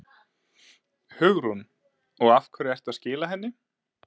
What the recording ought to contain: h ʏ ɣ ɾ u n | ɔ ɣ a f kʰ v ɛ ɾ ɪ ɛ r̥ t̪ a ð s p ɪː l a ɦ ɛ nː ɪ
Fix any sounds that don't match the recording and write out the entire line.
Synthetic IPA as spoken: h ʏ ɣ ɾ u n | ɔ ɣ a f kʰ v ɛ ɾ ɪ ɛ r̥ t̪ a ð s c ɪː l a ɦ ɛ nː ɪ